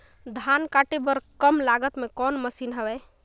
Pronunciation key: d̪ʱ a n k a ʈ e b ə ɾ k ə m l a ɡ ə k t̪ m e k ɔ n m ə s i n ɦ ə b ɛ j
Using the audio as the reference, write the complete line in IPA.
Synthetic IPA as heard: d̪ʱ a n k a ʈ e b ə ɾ k ə m l a ɡ ə t̪ m e k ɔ n m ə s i n ɦ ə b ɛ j